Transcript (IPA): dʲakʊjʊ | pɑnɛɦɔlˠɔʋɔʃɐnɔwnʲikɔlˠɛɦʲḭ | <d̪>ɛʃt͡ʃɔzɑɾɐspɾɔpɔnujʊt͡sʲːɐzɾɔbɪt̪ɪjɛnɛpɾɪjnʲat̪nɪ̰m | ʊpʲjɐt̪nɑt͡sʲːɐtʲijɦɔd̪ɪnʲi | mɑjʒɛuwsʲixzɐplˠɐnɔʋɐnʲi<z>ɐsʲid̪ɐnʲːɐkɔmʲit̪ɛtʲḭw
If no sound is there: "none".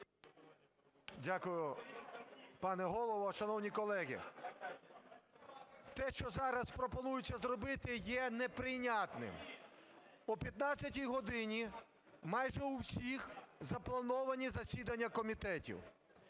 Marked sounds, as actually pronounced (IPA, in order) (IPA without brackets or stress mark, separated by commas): t̪, z